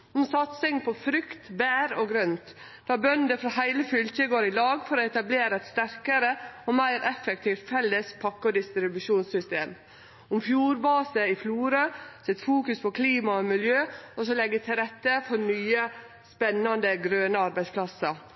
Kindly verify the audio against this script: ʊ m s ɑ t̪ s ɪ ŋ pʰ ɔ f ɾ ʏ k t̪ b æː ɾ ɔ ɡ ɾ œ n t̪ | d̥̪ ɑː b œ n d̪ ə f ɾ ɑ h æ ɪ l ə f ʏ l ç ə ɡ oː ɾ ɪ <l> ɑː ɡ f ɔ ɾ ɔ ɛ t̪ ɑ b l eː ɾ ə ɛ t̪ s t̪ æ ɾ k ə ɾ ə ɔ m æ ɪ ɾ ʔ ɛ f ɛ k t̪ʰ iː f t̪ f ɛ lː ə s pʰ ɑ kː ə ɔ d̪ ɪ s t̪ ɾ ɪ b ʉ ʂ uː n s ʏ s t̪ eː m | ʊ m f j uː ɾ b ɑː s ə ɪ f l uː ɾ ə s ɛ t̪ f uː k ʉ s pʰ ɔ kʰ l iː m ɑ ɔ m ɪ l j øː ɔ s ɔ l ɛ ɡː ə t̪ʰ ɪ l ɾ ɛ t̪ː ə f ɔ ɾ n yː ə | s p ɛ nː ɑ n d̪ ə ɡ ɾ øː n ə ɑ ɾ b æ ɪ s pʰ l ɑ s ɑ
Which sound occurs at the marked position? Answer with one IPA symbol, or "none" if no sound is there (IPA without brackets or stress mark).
l